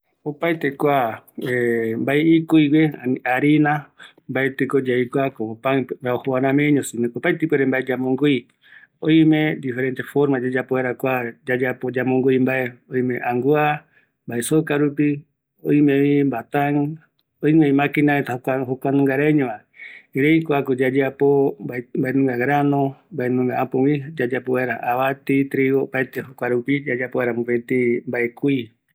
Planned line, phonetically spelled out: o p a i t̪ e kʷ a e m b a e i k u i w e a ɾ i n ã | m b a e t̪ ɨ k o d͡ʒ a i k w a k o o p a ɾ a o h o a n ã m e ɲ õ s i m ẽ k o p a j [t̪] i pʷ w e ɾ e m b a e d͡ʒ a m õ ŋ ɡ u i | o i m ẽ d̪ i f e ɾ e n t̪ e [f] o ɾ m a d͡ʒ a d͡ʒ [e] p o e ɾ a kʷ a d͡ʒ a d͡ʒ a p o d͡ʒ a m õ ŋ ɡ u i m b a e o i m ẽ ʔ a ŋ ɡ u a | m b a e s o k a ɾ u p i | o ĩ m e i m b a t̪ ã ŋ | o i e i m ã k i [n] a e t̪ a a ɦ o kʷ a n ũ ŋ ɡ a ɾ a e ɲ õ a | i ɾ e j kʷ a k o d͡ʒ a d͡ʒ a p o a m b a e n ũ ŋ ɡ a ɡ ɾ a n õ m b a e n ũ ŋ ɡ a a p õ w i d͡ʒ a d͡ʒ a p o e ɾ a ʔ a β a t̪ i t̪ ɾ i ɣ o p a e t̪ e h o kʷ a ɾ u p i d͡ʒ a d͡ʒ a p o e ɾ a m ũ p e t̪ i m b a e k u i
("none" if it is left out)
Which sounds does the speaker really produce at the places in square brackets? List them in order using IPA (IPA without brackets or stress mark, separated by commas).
t̪, f, a, n